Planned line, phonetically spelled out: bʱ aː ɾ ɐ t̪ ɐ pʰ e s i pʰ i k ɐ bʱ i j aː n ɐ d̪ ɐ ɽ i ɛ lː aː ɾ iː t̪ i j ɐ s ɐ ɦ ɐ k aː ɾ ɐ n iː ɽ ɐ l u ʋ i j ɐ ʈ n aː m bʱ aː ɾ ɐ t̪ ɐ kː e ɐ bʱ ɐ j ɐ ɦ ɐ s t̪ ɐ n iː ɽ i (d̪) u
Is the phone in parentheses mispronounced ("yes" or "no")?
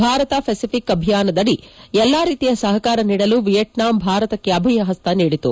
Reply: yes